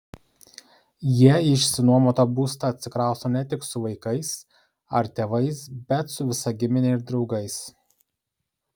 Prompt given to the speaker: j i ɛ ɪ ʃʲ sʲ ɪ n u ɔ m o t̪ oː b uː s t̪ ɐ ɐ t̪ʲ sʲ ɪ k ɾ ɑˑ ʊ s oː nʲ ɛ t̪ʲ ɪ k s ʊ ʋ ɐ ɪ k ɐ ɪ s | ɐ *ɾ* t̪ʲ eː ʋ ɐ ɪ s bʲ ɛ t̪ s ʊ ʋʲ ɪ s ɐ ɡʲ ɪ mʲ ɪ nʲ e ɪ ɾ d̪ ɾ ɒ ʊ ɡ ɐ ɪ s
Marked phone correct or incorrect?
correct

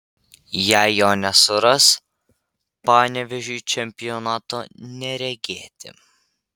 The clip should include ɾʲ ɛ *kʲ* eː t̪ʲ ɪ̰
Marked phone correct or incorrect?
incorrect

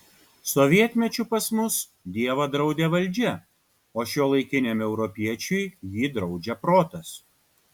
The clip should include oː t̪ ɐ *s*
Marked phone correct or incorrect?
correct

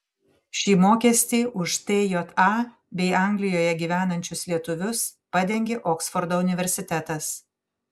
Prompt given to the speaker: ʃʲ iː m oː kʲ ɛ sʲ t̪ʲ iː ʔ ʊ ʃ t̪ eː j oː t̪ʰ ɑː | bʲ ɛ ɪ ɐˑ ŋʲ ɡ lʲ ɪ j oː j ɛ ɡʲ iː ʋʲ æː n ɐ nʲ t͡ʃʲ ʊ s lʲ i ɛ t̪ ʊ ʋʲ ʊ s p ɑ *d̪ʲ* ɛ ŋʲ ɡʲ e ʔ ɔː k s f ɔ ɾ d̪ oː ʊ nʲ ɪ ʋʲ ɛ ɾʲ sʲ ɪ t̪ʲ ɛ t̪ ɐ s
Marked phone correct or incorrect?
correct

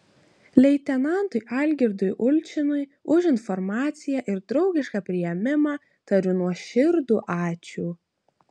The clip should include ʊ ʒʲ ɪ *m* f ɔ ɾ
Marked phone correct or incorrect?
incorrect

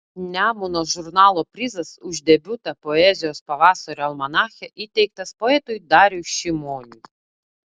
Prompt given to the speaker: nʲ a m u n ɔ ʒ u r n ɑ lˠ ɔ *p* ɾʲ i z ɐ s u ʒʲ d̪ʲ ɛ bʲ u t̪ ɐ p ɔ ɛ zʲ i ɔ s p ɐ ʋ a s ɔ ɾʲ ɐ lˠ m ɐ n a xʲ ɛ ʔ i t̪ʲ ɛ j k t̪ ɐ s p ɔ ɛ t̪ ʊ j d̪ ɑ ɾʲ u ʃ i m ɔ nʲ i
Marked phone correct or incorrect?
correct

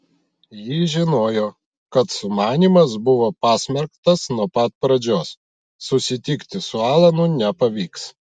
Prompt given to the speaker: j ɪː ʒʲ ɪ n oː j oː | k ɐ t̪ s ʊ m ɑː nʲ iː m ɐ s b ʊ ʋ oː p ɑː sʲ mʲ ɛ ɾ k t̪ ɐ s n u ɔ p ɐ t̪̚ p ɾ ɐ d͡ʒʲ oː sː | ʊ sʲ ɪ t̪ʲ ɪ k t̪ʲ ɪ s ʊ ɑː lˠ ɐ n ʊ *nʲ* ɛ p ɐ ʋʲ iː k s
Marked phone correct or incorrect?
correct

